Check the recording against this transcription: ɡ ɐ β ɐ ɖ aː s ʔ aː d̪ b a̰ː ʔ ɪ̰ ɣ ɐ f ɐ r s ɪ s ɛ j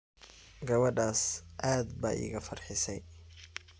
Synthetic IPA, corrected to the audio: ɡ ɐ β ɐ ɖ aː s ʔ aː d̪ b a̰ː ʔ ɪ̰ ɣ ɐ f ɐ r ħ ɪ s ɛ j